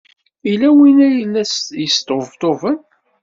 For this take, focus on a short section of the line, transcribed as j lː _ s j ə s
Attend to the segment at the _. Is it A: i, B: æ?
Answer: B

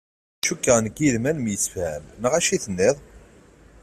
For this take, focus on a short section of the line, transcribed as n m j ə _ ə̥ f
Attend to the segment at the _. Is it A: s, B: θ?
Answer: A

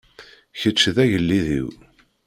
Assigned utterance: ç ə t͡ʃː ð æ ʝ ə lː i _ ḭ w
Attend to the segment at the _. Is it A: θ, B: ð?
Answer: B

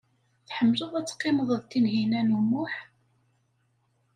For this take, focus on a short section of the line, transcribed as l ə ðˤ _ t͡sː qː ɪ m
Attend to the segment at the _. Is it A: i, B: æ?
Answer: B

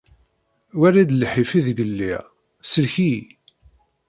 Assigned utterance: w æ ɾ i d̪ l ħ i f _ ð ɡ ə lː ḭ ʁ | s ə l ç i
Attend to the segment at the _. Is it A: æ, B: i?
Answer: B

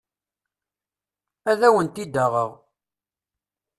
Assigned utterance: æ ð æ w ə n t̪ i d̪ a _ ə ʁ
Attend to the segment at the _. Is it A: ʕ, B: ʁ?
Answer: B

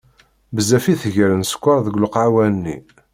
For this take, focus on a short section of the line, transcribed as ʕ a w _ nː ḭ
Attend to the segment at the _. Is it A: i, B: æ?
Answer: B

